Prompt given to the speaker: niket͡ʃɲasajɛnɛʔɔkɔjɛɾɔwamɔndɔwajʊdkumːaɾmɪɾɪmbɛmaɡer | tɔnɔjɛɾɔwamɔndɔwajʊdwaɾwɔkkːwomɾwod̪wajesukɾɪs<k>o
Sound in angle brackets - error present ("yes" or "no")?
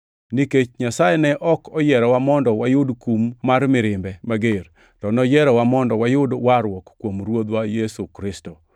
yes